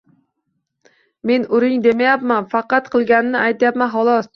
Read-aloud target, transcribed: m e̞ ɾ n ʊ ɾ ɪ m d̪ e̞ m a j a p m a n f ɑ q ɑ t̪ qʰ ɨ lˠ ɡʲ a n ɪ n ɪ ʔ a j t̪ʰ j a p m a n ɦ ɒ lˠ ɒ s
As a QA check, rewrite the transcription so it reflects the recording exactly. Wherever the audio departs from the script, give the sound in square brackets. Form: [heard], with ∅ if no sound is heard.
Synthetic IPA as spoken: m e̞ [∅] n ʊ ɾ ɪ [ŋ] d̪ e̞ m a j a p m a n f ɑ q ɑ t̪ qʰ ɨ lˠ ɡʲ a n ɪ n ɪ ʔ a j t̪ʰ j a p m a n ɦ ɒ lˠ ɒ s

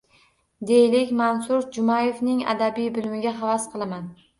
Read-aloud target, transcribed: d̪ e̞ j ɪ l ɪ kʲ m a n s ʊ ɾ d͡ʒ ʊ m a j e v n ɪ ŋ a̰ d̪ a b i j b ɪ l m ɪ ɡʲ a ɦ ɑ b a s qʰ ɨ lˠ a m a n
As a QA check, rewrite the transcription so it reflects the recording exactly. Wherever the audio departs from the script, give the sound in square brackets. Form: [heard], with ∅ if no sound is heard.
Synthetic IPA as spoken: d̪ e̞ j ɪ l ɪ kʲ m a n s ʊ ɾ d͡ʒ ʊ m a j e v n ɪ ŋ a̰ d̪ a b i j b ɪ l m ɪ ɡʲ a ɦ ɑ [v] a s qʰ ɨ lˠ a m a n

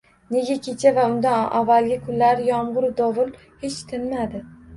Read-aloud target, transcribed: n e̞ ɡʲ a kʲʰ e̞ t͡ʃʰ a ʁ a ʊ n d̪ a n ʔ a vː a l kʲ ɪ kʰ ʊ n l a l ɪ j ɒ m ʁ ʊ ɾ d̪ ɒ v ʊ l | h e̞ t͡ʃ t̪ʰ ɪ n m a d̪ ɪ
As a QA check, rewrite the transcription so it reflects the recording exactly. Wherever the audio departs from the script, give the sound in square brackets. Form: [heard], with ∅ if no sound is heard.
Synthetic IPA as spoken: n e̞ ɡʲ a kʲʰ e̞ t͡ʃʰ a [v] a ʊ n d̪ a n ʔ a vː a l [ɡʲ] ɪ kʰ ʊ n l a [ɾ] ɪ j ɒ m ʁ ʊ ɾ d̪ ɒ v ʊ l | h e̞ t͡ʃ t̪ʰ ɪ n m a d̪ ɪ

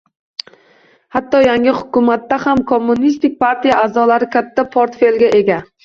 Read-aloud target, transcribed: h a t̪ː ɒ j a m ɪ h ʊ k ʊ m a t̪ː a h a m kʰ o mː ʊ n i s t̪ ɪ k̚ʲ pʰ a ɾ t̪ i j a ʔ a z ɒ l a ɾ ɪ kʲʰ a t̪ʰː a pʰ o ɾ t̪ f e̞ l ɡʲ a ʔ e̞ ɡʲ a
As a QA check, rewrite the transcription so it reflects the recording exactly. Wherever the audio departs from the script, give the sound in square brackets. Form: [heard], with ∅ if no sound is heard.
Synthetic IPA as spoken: h a t̪ː ɒ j a [ŋ] ɪ h ʊ k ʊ m a t̪ː a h a m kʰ o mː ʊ n i s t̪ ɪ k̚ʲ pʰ a ɾ t̪ i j a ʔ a z ɒ l a ɾ ɪ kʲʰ a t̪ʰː a pʰ o ɾ t̪ f e̞ l ɡʲ a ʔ e̞ ɡʲ a

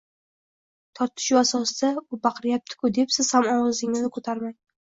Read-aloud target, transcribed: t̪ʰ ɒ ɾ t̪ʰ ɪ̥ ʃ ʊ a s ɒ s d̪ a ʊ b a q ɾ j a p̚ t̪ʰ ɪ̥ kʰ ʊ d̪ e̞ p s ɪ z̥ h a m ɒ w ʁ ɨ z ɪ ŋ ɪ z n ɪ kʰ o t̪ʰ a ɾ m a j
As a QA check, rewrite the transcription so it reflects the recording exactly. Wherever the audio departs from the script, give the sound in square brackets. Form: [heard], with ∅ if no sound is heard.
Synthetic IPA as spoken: t̪ʰ ɒ ɾ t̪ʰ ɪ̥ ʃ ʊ a s ɒ s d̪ a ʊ b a q ɾ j a p̚ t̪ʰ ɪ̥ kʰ ʊ d̪ e̞ p s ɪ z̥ h a m ɒ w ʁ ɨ z ɪ ŋ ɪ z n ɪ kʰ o t̪ʰ a ɾ m a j

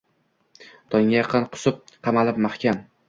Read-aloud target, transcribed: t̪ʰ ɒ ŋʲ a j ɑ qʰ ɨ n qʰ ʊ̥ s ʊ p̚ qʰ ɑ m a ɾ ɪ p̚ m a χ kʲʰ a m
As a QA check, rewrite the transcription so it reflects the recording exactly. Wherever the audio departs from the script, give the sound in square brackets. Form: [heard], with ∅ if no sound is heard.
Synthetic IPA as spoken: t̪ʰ ɒ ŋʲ a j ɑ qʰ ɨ n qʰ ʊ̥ s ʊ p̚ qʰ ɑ m a [l] ɪ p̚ m a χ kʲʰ a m

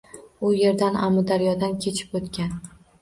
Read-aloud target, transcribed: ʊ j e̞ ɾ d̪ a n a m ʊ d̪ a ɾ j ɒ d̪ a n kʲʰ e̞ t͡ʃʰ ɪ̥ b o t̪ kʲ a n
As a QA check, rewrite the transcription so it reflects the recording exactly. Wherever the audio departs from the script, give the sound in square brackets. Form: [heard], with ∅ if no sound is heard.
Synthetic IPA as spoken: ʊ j e̞ ɾ d̪ a n a m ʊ d̪ a ɾ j ɒ d̪ a n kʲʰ e̞ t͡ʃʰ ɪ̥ [p] o t̪ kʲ a n

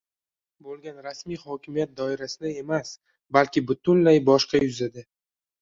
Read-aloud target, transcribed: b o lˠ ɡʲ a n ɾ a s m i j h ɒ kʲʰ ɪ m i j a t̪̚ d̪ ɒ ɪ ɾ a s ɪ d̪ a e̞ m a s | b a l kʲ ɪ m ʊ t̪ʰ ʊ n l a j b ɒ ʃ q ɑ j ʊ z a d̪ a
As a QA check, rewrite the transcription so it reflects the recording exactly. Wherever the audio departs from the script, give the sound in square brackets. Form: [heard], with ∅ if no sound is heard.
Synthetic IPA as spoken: b o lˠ ɡʲ a n ɾ a s m i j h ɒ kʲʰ ɪ m i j a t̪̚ d̪ ɒ ɪ ɾ a s ɪ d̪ a e̞ m a s | b a l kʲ ɪ [b] ʊ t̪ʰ ʊ n l a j b ɒ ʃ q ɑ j ʊ z a d̪ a

